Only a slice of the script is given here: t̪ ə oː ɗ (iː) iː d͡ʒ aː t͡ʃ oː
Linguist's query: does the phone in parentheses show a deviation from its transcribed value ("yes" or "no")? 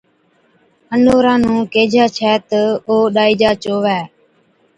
yes